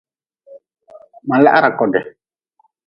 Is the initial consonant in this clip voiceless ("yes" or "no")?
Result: no